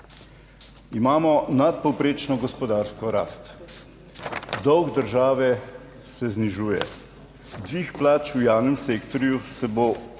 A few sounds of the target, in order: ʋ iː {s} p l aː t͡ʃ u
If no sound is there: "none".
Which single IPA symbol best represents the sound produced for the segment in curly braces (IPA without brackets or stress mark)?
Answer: x